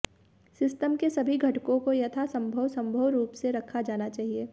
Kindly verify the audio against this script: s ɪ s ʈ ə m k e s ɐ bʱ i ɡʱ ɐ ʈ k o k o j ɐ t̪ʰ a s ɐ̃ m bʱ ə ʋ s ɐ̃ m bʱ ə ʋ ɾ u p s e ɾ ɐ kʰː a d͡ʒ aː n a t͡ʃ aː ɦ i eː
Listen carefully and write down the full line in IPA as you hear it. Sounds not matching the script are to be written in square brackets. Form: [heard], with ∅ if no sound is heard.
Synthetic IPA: s ɪ s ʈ ə m k e s ɐ bʱ i ɡʱ ɐ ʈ k [õ] k o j ɐ t̪ʰ a s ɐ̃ m bʱ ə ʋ s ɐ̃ m bʱ ə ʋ ɾ [uː] p s e ɾ ɐ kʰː a d͡ʒ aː n a t͡ʃ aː ɦ i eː